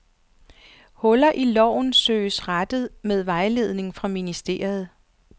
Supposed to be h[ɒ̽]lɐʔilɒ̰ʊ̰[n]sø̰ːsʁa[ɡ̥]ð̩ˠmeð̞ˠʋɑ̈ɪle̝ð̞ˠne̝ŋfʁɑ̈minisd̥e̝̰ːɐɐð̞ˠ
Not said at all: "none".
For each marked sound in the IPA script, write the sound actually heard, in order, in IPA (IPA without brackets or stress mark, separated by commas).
ɔ̽, n, d̥